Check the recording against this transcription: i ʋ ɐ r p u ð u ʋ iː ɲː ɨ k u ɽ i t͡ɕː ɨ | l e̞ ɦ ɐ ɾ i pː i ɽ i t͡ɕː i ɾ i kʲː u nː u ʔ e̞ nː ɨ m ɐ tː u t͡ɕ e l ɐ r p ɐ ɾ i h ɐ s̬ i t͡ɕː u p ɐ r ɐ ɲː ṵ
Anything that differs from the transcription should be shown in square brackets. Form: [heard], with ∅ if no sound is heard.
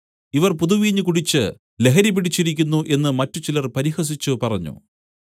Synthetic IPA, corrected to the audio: i ʋ ɐ r p u ð u ʋ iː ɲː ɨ k u ɽ i t͡ɕː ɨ | l e̞ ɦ ɐ ɾ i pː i ɽ i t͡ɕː i ɾ i kʲː u nː u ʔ e̞ nː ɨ m ɐ tː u t͡ɕ [i] l ɐ r p ɐ ɾ i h ɐ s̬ i t͡ɕː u p ɐ r ɐ ɲː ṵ